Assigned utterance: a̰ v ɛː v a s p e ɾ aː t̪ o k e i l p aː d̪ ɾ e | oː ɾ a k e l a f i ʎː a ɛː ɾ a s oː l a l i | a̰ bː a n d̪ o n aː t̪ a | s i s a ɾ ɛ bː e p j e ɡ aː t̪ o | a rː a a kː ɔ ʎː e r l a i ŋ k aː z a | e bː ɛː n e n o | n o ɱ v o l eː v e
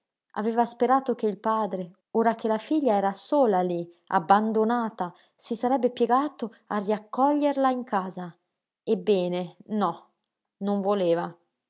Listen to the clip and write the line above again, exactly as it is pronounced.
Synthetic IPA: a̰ v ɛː v a s p e ɾ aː t̪ o k e i l p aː d̪ ɾ e | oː ɾ a k e l a f i ʎː a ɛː ɾ a s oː l a l i | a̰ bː a n d̪ o n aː t̪ a | s i s a ɾ ɛ bː e p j e ɡ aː t̪ o | a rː i a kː ɔ ʎː e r l a i ŋ k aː z a | e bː ɛː n e n ɔ | n o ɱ v o l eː v a